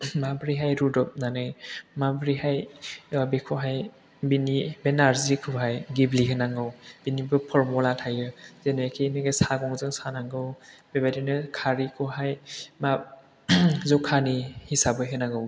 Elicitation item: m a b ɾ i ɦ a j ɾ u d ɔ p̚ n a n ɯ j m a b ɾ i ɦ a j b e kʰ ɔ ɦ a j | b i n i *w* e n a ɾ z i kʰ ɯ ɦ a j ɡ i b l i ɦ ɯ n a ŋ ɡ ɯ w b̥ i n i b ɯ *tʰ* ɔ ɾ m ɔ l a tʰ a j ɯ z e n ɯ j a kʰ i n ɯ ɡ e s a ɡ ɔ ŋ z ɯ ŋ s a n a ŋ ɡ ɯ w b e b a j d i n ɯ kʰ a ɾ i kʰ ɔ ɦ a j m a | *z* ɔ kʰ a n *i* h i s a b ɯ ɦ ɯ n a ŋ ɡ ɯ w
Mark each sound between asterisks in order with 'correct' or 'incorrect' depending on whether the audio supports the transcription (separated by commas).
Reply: incorrect, incorrect, correct, correct